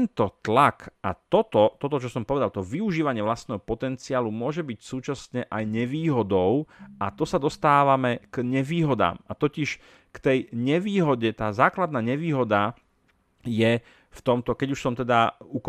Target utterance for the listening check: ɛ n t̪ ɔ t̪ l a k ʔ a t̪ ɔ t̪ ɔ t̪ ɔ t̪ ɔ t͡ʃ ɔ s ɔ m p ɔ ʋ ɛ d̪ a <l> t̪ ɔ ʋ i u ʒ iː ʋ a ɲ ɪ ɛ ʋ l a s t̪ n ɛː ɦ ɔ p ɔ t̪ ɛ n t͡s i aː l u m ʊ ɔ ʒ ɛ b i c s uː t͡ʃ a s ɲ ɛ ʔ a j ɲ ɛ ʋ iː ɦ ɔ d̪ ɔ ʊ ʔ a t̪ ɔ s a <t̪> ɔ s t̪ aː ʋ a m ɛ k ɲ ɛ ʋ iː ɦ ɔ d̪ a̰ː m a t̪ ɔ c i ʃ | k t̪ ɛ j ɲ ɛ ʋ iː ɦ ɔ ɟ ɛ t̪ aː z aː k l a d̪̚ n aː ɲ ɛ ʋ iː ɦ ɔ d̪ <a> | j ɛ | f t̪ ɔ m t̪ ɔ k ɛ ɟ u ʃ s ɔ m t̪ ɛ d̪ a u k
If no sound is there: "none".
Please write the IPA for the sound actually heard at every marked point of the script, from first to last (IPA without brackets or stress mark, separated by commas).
l, d̪, a